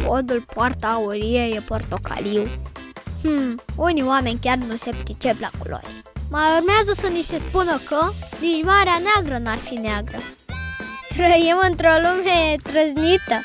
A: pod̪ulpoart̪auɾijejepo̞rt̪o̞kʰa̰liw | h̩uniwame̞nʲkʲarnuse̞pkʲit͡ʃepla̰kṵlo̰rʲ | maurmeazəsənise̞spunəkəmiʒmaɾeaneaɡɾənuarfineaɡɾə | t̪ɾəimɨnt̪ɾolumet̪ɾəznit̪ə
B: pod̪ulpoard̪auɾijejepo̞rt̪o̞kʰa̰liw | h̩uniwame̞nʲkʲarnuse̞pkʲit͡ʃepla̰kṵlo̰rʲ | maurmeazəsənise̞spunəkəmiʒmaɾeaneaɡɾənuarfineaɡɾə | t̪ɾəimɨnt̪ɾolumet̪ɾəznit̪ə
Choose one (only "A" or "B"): A